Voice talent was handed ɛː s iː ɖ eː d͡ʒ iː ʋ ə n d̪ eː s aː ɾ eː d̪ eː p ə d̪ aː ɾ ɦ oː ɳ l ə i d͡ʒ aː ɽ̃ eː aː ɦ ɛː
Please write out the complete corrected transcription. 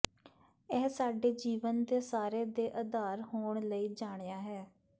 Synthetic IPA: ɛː s aː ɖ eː d͡ʒ iː ʋ ə n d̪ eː s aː ɾ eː d̪ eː ʔ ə d̪ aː ɾ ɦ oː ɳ l ə iː d͡ʒ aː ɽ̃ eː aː ɦ ɛː